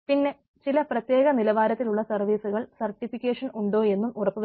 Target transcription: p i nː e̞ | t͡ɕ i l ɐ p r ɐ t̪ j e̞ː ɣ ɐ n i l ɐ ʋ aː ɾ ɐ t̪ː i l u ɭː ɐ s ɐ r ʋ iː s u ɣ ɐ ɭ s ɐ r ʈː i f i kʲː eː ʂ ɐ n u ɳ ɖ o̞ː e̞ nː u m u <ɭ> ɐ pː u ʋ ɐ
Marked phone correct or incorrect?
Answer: incorrect